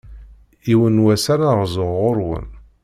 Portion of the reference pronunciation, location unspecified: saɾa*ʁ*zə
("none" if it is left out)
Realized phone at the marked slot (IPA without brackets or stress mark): ʁ